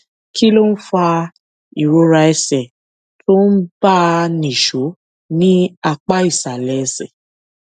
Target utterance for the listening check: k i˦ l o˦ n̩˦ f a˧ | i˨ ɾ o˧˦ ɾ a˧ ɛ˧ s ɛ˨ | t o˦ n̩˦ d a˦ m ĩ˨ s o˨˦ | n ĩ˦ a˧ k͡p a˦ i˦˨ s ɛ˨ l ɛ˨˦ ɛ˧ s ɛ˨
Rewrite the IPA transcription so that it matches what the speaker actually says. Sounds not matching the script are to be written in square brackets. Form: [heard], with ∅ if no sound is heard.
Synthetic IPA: k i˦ l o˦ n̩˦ f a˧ | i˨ ɾ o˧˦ ɾ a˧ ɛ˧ s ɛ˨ | t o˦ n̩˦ [b] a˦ [n] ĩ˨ [ʃ] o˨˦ | n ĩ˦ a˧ k͡p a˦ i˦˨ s [a˨] l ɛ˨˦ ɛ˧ s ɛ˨